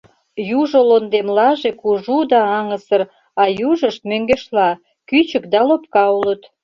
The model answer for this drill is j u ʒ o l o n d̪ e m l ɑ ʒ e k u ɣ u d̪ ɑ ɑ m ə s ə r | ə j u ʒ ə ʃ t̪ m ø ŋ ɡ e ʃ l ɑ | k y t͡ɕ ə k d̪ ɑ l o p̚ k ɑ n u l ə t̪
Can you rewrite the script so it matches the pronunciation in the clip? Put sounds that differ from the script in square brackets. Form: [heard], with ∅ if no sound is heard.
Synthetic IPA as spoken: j u ʒ o l o n d̪ e m l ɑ ʒ e k u [ʒ] u d̪ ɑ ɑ [ŋ] ə s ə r | [ɑ] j u ʒ ə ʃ t̪ m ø ŋ ɡ e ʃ l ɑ | k y t͡ɕ ə k d̪ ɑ l o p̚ k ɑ [∅] u l ə t̪